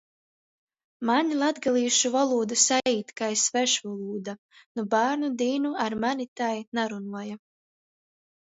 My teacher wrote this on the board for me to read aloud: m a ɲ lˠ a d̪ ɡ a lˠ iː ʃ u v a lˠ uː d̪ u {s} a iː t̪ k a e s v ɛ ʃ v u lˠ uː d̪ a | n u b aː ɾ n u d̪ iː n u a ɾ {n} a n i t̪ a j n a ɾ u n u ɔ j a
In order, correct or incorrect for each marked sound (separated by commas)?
correct, incorrect